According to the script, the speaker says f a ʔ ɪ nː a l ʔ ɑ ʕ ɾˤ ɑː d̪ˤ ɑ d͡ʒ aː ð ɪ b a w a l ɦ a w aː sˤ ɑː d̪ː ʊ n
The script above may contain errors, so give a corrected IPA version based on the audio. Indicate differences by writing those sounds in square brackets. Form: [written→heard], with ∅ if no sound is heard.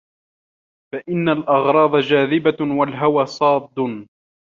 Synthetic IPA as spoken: f a ʔ ɪ nː a l ʔ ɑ [ʕ→ɣ] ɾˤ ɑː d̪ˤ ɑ d͡ʒ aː ð ɪ b a w a l ɦ a w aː sˤ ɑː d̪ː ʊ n